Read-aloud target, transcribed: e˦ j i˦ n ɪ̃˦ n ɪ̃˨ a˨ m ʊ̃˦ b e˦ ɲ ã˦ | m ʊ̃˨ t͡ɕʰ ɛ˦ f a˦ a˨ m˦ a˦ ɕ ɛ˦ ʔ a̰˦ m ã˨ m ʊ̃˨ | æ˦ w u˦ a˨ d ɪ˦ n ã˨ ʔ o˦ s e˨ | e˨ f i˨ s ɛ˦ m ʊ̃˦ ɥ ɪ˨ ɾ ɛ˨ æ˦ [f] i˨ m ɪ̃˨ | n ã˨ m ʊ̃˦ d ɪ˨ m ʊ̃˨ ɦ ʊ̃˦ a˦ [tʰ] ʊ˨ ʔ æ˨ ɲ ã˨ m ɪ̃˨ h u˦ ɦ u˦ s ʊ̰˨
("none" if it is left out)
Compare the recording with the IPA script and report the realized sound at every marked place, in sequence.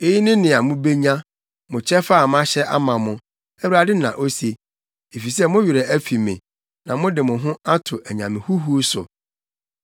f, tʰ

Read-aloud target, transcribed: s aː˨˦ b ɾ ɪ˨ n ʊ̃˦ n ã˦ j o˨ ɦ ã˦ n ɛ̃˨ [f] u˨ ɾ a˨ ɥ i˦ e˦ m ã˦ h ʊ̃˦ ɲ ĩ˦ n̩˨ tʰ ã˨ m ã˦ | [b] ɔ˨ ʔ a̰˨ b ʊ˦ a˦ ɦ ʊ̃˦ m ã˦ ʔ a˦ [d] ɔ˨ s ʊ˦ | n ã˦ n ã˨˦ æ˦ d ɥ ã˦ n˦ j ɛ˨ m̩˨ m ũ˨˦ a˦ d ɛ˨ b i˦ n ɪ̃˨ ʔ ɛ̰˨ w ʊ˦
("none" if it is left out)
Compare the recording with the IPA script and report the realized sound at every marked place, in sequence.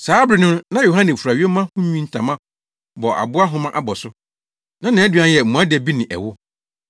f, b, b

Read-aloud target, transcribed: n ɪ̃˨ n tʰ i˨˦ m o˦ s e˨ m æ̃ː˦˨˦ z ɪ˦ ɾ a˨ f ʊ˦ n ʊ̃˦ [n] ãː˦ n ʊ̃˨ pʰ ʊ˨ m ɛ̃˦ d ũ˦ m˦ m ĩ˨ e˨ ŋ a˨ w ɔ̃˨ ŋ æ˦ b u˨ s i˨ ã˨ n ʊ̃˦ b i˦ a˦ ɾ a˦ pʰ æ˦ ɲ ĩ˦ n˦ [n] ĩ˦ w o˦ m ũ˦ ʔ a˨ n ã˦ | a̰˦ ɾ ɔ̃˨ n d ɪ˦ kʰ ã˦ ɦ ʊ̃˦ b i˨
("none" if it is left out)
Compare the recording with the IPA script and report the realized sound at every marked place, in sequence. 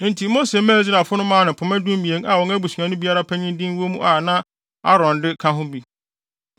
m, d

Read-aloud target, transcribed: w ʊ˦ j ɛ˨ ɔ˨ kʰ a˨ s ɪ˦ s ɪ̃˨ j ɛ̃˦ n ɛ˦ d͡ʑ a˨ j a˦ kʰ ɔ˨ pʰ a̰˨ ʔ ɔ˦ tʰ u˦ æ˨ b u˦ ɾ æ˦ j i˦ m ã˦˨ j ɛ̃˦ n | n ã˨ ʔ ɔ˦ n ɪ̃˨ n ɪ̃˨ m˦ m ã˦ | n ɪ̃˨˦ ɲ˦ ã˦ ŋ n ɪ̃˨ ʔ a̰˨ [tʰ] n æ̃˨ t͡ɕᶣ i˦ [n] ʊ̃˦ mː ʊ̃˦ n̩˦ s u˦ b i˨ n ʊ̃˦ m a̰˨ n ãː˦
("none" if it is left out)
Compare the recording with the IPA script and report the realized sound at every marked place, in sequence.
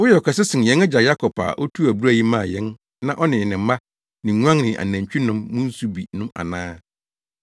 none, n

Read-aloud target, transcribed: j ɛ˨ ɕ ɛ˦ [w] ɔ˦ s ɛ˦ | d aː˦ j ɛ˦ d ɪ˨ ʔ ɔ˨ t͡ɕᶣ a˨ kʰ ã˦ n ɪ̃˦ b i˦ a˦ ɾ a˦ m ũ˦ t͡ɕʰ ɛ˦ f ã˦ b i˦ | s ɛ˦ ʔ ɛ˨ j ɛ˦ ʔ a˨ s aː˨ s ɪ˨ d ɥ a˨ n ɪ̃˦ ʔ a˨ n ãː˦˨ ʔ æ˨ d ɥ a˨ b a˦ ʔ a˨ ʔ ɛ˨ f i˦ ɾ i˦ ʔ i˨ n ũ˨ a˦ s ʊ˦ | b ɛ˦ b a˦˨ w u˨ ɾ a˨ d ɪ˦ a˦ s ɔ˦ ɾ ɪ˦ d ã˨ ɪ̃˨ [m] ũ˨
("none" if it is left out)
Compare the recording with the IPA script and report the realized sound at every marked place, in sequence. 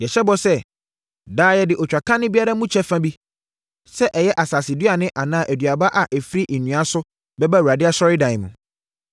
b, m

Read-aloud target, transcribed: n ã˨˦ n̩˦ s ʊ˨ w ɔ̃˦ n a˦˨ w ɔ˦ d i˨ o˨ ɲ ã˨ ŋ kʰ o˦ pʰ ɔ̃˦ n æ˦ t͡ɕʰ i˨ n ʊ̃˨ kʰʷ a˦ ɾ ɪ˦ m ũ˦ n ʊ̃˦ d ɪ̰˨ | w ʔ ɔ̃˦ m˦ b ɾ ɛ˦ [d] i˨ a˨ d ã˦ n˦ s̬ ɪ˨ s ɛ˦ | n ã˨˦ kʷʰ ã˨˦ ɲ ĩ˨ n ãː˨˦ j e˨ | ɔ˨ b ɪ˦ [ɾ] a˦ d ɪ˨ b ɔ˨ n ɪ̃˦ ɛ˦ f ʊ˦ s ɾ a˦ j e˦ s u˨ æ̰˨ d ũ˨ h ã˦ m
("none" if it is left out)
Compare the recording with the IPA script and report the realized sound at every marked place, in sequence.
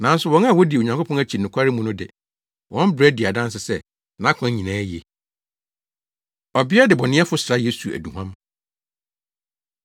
d, none

